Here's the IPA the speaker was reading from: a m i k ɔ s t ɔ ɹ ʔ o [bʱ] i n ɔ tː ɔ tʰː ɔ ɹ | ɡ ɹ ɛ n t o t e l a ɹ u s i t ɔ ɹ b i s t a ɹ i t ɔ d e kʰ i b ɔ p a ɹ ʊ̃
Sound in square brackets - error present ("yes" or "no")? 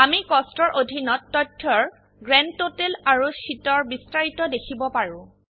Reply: yes